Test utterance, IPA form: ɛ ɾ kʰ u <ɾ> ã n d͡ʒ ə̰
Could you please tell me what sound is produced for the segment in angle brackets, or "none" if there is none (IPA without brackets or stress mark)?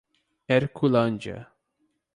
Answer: l